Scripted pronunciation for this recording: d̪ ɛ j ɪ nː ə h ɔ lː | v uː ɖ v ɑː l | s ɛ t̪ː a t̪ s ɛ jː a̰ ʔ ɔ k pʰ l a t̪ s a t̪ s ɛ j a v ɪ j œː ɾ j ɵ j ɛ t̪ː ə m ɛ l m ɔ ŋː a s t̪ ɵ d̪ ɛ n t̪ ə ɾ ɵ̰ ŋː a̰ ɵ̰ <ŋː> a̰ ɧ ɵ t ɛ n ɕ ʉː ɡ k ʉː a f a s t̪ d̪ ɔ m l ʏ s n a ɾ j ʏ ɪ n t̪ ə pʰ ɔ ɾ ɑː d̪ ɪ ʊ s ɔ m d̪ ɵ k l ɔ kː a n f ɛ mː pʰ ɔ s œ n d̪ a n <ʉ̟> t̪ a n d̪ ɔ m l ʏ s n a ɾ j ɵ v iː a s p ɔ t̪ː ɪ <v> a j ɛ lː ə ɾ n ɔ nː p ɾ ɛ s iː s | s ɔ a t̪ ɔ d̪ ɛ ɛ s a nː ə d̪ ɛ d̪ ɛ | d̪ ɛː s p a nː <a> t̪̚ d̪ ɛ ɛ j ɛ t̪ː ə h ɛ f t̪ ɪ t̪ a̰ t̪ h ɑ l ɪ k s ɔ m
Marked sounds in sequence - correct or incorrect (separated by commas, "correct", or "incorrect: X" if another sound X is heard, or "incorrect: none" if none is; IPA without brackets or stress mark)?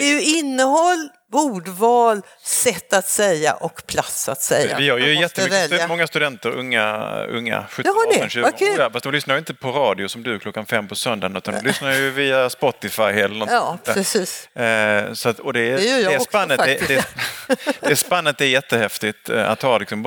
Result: correct, correct, incorrect: f, incorrect: ə